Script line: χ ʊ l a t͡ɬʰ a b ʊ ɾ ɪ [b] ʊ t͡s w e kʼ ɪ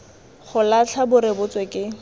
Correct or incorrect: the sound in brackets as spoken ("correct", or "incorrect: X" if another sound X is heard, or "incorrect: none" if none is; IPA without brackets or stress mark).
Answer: correct